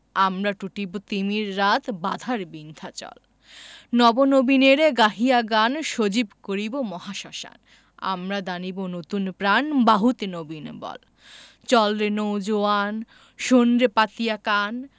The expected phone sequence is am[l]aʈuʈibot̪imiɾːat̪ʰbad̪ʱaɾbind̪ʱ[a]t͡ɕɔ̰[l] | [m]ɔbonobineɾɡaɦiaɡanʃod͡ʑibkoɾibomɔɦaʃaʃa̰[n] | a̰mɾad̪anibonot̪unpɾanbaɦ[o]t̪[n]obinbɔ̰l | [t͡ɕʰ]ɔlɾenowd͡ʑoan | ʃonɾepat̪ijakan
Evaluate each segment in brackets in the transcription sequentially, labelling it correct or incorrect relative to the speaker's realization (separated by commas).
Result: incorrect, correct, correct, incorrect, correct, incorrect, correct, incorrect